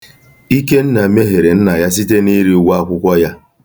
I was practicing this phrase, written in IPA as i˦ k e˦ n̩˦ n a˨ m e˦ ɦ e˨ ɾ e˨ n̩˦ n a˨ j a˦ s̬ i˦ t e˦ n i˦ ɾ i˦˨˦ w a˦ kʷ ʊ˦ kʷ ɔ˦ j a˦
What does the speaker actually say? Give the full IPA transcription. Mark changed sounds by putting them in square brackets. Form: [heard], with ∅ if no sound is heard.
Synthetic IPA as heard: i˦ k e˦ n̩˦ n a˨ m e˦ ɦ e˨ ɾ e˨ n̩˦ n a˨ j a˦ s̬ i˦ t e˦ n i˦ ɾ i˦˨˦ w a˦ kʷ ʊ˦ kʷ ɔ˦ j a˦